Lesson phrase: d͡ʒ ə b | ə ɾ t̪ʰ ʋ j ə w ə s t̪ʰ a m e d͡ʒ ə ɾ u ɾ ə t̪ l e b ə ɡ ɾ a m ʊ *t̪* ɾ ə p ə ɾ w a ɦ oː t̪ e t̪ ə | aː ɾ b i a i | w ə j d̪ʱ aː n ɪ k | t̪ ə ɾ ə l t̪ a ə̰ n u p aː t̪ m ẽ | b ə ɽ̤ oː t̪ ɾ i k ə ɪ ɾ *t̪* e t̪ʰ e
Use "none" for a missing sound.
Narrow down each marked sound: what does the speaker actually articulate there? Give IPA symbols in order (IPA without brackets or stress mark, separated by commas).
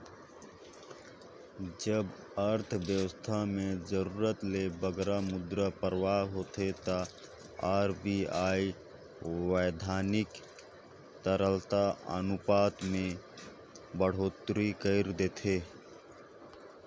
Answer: d̪, d̪